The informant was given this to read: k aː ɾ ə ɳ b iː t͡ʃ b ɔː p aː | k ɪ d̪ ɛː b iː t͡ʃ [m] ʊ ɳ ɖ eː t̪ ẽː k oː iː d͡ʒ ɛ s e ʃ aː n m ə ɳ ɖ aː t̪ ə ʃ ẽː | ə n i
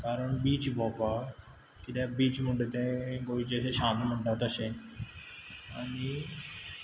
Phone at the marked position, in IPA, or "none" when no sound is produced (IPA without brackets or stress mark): m